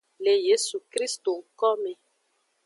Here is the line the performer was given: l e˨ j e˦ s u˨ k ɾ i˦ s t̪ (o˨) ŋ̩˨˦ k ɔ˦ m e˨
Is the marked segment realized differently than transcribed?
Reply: no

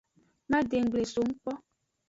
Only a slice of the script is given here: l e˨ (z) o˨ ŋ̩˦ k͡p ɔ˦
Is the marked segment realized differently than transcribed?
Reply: yes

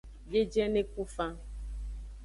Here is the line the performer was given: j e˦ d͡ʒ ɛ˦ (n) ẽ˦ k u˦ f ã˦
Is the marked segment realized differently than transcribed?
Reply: no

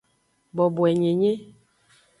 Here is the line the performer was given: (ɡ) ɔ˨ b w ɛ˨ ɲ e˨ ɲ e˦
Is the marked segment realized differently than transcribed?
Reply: yes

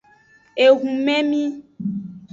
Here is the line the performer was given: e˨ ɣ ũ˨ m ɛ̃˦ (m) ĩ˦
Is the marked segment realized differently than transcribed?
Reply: no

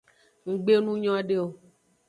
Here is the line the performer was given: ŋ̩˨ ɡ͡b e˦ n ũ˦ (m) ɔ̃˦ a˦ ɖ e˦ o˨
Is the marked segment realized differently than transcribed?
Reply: yes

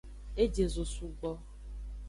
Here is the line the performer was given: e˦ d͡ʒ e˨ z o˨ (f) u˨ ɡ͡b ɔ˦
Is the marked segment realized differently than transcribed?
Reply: yes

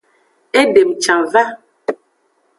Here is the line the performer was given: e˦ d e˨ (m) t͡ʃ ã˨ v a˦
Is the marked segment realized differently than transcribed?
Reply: no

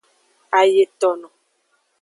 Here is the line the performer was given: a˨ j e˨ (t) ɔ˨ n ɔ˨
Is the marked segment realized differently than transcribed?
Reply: no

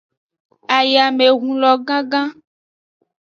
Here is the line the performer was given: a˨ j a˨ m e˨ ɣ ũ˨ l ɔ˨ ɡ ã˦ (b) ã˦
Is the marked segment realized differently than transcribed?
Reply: yes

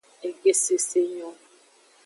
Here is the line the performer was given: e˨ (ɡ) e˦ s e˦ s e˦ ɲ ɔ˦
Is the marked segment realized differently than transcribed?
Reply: no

